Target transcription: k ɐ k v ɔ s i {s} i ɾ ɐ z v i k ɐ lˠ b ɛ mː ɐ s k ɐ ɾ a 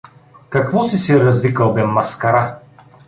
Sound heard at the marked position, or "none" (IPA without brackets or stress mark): s